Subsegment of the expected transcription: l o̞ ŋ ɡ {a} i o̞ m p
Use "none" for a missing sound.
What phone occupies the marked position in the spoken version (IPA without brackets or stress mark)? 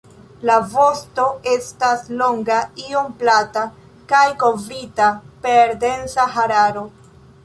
a